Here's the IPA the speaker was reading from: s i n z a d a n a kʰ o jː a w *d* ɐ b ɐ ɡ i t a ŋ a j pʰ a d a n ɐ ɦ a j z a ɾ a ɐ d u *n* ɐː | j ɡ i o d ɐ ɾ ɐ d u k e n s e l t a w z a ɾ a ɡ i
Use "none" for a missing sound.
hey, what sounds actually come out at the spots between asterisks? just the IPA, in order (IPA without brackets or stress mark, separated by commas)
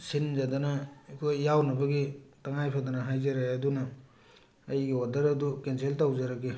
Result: n, n